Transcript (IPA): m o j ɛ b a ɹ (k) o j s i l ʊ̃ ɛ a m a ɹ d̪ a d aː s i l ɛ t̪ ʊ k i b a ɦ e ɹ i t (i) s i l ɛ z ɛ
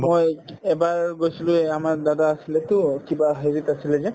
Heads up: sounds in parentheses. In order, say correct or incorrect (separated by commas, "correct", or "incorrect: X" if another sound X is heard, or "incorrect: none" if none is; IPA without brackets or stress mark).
incorrect: ɡ, incorrect: a